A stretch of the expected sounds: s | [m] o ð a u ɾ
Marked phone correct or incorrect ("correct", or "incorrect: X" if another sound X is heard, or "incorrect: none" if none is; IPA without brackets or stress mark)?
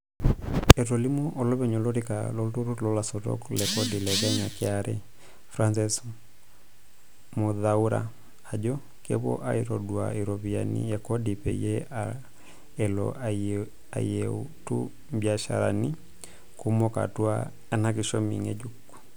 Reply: correct